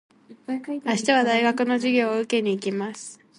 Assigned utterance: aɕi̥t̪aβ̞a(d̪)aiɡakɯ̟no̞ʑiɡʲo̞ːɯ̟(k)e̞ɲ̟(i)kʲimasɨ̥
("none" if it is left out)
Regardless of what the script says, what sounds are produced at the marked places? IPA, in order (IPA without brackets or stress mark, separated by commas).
d̪, k, iː